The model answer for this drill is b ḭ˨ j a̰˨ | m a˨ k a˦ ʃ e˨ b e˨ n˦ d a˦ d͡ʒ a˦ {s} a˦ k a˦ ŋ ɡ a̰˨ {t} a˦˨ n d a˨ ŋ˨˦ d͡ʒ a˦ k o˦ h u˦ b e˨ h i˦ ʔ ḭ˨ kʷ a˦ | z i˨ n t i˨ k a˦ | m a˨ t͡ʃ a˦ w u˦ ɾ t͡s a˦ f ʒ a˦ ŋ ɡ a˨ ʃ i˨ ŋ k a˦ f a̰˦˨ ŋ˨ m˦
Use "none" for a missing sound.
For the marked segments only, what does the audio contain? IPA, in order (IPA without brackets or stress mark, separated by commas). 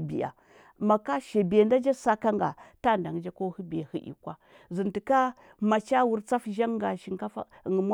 s, t